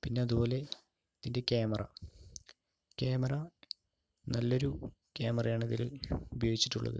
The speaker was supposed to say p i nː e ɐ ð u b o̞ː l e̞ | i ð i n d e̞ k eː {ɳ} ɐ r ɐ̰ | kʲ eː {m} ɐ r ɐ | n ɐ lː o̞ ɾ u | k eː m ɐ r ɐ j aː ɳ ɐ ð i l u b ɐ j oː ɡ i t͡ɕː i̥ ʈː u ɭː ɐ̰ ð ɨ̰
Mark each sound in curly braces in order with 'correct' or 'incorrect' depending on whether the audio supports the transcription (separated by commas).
incorrect, correct